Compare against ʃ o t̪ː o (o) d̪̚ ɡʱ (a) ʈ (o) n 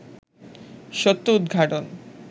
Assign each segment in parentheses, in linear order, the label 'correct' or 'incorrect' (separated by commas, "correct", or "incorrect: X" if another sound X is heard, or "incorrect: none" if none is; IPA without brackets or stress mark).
incorrect: u, correct, correct